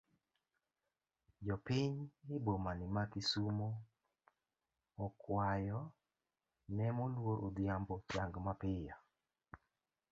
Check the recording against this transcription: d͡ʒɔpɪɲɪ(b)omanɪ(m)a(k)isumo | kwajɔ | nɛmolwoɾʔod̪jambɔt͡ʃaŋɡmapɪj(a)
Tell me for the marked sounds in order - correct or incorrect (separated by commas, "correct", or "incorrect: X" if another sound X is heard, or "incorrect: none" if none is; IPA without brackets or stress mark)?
correct, correct, correct, correct